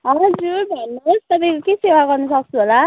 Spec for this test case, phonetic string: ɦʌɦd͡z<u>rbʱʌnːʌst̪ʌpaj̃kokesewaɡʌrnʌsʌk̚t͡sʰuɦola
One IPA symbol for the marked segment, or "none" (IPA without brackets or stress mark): u